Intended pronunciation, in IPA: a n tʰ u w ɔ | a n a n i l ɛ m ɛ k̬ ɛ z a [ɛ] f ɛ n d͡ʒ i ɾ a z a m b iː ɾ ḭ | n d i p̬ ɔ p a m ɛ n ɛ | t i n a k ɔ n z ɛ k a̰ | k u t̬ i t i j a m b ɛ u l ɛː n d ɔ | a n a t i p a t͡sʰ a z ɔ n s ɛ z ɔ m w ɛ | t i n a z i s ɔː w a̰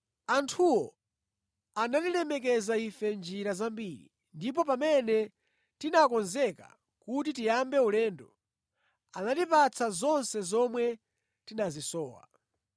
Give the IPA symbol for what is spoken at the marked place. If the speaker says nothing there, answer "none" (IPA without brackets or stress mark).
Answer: i